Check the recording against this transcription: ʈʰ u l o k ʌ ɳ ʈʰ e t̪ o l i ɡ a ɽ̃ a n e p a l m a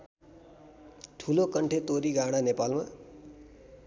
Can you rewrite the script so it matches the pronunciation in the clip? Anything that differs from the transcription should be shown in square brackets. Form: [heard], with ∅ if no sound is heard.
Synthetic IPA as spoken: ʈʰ u l o k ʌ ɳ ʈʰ e t̪ o [ɾ] i ɡ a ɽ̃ a n e p a l m a